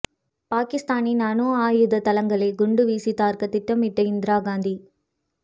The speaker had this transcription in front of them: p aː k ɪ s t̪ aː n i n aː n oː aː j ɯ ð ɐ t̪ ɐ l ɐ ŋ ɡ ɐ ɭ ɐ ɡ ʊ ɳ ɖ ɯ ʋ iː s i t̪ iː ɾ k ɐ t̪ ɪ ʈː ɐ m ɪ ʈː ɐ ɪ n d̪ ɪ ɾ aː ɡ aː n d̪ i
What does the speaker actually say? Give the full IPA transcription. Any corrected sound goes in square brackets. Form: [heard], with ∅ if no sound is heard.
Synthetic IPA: p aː k ɪ s t̪ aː n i n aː n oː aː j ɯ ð ɐ t̪ ɐ l ɐ ŋ ɡ ɐ ɭ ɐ ɡ ʊ ɳ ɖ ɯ ʋ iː s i t̪ [aː] ɾ k ɐ t̪ ɪ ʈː ɐ m ɪ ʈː ɐ ɪ n d̪ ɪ ɾ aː ɡ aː n d̪ i